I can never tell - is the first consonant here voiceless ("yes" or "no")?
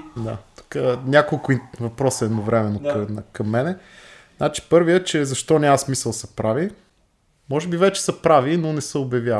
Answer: no